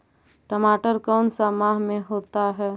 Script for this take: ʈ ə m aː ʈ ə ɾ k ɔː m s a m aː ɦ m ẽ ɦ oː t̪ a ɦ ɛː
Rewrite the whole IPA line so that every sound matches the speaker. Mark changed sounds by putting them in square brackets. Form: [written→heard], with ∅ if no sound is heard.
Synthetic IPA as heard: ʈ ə m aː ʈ ə ɾ k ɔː [m→n] s a m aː ɦ m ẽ ɦ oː t̪ a ɦ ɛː